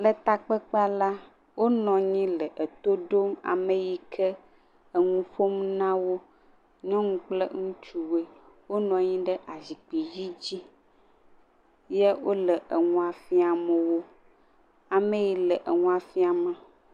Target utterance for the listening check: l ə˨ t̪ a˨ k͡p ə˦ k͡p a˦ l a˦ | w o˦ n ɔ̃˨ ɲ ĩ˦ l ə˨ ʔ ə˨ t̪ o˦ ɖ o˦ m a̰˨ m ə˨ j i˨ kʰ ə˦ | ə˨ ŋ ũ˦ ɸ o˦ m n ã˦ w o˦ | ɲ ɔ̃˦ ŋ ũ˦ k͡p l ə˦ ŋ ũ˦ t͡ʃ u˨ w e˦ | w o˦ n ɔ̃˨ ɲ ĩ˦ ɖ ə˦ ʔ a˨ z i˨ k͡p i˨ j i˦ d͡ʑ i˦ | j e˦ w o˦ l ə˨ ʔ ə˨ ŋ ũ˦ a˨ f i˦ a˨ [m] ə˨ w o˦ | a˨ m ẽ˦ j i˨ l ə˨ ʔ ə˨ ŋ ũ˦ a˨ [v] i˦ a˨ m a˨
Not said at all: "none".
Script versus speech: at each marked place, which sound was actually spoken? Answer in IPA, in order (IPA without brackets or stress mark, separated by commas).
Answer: m, f